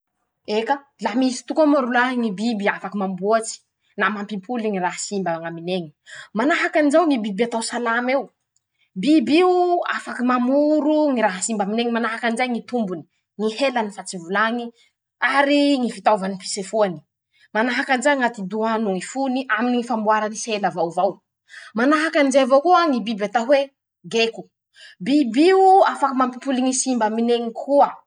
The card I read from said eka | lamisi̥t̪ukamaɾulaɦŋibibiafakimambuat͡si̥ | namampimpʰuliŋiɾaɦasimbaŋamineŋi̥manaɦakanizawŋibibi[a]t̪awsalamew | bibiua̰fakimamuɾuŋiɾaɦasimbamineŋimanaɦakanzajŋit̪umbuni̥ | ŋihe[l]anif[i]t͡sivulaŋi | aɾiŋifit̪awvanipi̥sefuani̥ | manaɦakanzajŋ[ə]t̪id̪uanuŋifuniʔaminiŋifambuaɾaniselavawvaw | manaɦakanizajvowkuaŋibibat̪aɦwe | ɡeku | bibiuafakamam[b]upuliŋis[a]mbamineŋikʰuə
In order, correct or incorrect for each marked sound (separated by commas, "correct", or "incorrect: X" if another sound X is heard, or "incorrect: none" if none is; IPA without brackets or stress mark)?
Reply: correct, correct, incorrect: a, incorrect: a, incorrect: p, incorrect: i